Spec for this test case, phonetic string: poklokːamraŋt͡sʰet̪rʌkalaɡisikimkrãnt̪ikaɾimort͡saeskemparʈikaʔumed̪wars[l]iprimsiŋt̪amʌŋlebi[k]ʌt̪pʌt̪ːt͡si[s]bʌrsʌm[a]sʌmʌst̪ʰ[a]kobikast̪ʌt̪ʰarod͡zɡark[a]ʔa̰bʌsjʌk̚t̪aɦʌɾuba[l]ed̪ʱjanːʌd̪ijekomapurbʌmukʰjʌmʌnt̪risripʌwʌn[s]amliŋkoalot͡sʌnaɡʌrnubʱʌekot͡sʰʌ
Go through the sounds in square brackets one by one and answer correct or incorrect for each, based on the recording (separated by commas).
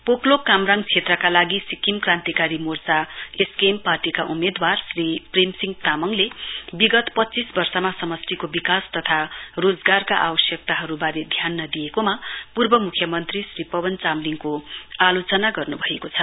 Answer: incorrect, incorrect, correct, correct, incorrect, correct, incorrect, incorrect